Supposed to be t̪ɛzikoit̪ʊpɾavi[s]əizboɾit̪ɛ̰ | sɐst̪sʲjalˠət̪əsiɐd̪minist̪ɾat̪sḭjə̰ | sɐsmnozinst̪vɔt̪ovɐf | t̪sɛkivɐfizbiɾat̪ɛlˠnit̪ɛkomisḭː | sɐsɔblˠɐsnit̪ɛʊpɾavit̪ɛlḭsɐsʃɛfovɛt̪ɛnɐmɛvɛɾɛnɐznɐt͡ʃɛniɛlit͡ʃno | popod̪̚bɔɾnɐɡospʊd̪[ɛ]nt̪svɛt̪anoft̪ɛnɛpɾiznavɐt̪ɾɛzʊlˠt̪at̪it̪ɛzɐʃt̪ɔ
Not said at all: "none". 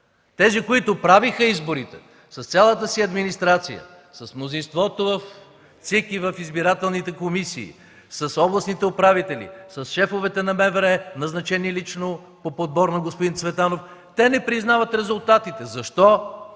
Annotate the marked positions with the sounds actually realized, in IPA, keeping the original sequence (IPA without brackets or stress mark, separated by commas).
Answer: x, i